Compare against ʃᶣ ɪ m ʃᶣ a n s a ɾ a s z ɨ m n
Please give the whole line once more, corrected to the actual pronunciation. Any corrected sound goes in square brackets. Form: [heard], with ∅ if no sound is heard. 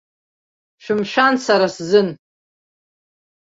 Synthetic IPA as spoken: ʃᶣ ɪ m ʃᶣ a n s a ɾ a s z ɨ [∅] n